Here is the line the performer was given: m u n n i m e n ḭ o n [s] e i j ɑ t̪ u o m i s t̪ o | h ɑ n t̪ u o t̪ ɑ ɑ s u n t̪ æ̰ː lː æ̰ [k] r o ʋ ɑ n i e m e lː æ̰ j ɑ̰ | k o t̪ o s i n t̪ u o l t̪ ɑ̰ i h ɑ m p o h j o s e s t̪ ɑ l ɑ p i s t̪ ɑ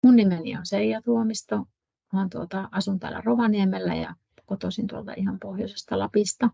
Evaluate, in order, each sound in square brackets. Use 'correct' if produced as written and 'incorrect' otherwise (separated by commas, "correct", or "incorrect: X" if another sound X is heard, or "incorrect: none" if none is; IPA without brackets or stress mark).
correct, incorrect: none